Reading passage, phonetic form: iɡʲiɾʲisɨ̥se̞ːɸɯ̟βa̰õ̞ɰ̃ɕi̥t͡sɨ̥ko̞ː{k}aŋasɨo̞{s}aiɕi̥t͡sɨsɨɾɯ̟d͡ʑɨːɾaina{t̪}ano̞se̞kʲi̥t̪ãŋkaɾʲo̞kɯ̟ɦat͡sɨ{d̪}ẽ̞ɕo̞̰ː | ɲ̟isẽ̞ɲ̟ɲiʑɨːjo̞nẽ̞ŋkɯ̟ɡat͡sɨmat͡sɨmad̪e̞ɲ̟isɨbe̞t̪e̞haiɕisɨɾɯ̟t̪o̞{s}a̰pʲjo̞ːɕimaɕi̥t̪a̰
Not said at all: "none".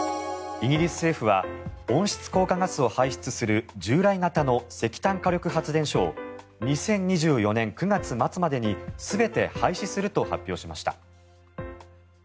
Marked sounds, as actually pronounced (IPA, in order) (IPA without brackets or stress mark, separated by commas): k, h, t̪, d̪, h